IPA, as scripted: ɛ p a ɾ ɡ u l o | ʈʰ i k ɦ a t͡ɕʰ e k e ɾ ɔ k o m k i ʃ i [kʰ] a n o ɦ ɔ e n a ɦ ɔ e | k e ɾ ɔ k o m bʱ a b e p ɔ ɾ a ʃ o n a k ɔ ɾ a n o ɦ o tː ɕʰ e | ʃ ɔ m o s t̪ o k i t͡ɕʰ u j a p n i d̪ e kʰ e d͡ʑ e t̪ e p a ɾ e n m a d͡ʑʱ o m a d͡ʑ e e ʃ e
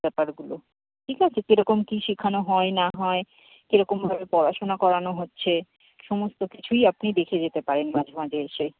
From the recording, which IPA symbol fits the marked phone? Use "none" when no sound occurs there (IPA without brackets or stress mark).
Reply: kʰ